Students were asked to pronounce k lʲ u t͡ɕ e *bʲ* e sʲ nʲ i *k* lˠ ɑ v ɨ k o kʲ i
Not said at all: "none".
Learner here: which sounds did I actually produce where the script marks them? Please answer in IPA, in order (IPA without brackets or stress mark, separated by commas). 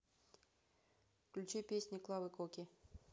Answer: pʲ, k